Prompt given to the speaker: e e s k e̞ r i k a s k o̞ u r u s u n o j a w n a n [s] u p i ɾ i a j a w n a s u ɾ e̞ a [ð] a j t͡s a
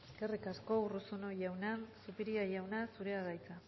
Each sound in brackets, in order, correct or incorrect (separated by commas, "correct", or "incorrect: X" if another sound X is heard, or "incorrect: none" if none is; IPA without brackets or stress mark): correct, incorrect: ɣ